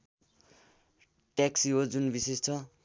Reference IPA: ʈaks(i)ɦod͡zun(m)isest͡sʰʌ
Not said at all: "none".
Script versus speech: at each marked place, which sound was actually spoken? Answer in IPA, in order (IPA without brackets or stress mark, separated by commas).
i, b